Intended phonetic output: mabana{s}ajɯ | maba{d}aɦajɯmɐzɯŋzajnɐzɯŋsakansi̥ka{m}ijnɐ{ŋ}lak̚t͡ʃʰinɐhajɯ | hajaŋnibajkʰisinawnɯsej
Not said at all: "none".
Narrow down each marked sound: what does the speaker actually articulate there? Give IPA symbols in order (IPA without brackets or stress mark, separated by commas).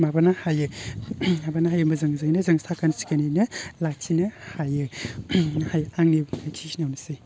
h, n, n, none